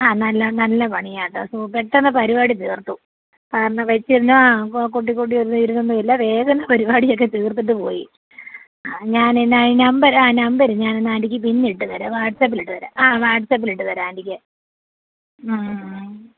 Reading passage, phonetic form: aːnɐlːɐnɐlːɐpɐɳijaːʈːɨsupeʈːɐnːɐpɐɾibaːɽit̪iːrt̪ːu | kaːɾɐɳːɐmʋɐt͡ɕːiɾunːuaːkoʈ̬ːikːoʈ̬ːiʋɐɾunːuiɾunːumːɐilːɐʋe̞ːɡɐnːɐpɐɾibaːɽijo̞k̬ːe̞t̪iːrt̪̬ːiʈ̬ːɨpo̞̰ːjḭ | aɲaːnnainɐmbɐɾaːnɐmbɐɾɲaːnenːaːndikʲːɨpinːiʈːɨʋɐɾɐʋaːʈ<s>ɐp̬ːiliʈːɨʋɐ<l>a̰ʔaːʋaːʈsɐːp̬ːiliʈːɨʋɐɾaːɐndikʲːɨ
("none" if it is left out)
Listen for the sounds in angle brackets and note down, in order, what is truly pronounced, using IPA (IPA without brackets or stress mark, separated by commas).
s, ɾ